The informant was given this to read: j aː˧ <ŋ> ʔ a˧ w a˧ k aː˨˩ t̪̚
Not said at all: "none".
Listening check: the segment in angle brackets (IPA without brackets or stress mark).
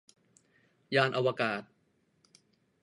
n